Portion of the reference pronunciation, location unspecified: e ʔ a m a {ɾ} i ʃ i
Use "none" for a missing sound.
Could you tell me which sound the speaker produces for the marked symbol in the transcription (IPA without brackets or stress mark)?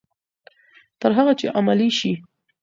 l